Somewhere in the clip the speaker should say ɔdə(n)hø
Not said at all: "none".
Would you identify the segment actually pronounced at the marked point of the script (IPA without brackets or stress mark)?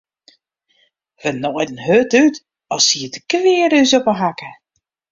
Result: n